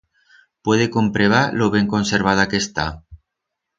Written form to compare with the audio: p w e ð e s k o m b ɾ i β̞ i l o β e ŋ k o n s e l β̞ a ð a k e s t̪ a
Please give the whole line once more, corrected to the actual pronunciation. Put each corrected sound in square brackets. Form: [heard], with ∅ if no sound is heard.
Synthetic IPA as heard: p w e ð e [∅] k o m [p] ɾ [e] β̞ [a] l o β e ŋ k o n s e [ɾ] β̞ a ð a k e s t̪ a